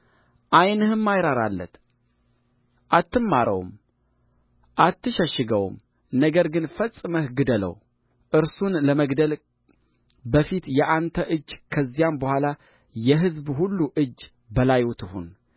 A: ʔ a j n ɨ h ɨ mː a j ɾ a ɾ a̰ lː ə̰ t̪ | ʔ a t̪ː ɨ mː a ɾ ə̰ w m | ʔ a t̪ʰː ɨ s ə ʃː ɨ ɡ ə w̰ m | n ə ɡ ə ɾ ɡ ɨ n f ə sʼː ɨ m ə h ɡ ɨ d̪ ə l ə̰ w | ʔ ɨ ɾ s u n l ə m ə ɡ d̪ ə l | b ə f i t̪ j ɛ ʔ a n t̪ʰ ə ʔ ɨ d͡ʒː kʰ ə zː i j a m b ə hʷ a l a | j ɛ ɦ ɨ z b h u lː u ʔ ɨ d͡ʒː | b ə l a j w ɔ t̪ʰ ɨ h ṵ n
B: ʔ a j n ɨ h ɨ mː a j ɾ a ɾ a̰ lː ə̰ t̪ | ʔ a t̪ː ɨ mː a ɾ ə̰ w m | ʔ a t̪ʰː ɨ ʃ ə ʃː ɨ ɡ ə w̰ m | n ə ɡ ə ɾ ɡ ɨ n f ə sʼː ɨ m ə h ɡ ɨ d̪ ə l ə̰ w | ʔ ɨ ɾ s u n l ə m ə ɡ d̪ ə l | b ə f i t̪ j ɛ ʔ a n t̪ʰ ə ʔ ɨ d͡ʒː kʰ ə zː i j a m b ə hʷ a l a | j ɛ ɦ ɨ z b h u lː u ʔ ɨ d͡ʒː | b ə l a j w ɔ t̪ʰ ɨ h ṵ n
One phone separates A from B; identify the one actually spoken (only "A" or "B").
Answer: B